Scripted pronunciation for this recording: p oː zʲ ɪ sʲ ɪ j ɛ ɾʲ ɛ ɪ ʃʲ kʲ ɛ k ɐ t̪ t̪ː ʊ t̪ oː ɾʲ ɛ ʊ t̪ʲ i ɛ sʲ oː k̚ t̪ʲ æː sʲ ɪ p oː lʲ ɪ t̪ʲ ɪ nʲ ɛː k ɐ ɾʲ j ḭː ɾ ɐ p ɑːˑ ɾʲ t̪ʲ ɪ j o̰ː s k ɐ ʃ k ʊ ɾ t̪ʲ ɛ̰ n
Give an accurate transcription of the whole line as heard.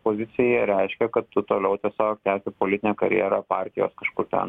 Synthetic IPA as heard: p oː zʲ ɪ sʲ ɪ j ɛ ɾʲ ɛ ɪ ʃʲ kʲ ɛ k ɐ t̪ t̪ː ʊ t̪ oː lʲ ɛ ʊ t̪ʲ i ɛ sʲ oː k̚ t̪ʲ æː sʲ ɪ p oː lʲ ɪ t̪ʲ ɪ nʲ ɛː k ɐ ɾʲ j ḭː ɾ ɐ p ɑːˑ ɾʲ t̪ʲ ɪ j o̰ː s k ɐ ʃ k ʊ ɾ t̪ʲ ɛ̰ n